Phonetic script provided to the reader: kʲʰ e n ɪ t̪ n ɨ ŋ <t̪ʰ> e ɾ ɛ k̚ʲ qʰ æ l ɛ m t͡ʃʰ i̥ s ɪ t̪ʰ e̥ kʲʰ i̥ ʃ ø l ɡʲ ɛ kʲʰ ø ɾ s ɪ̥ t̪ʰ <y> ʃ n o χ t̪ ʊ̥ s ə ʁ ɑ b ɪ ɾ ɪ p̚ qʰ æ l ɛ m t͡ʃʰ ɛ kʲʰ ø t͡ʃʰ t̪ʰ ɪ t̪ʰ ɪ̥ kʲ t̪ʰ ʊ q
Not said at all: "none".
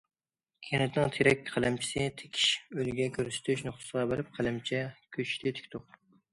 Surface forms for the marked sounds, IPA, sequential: t̪ʰ, y

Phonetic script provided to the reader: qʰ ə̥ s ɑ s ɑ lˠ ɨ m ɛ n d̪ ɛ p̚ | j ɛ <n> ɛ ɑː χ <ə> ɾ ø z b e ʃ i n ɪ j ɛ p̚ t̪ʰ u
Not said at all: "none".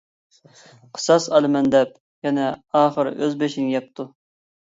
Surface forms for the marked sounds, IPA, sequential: n, ə

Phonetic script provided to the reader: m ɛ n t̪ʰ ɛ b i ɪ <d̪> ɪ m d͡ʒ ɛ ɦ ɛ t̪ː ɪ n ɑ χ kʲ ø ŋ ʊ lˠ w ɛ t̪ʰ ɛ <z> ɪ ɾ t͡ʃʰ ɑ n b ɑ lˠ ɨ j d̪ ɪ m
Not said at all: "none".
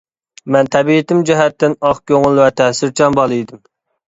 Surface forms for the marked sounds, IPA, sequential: t̪, s

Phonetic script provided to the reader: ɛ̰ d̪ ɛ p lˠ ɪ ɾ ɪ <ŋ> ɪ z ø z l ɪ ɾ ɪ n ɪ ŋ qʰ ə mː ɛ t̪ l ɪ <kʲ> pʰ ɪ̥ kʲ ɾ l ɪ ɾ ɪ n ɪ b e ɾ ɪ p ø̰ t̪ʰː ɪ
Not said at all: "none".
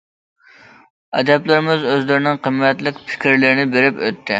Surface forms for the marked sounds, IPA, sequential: m, kʲ

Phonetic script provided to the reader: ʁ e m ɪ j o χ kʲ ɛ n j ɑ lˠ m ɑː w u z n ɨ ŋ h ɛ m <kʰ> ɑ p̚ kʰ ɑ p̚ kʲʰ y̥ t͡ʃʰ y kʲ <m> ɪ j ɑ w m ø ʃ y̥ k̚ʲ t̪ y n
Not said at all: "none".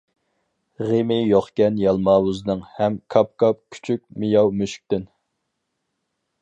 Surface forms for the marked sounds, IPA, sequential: kʰ, m

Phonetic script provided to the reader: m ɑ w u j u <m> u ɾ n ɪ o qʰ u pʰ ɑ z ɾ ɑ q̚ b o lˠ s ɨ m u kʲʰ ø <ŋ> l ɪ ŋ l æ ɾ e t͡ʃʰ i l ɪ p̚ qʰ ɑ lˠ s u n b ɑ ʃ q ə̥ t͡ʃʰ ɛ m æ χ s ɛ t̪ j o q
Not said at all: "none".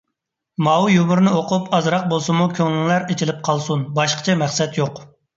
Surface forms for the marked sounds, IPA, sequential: m, ŋ

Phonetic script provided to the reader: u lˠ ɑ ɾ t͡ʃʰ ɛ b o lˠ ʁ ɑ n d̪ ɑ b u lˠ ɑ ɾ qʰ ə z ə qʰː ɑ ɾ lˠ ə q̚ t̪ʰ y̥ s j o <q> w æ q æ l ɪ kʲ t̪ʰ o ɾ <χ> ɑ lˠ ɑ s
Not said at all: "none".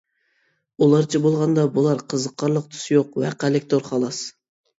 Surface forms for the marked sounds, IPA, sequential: q, χ

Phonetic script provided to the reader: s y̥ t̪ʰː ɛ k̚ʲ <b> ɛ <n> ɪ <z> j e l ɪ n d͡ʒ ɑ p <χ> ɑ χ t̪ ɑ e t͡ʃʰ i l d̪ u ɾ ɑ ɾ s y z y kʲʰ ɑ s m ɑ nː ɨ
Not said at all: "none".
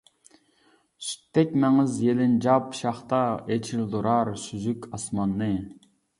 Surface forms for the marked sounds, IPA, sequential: m, ŋ, z, ʃ

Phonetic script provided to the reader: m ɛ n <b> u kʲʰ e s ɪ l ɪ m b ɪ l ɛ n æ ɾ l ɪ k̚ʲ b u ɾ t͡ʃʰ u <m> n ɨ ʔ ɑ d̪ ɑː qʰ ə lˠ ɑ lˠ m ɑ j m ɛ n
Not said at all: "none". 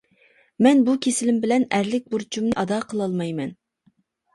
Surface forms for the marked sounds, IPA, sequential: b, m

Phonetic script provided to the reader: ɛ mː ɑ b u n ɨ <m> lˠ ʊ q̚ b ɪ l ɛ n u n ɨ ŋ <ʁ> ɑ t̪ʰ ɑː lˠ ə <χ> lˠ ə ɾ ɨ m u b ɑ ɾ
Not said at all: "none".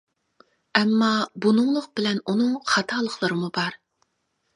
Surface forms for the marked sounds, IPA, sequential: ŋ, χ, χ

